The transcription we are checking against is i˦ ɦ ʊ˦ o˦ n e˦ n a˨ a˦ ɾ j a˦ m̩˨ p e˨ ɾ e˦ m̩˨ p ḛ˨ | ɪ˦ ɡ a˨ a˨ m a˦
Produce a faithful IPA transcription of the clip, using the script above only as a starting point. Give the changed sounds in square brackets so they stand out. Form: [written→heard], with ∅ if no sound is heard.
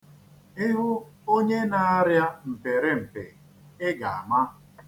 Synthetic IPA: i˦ ɦ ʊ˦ o˦ [n→ɲ] e˦ n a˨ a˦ ɾ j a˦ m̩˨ p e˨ ɾ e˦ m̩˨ p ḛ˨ | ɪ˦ ɡ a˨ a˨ m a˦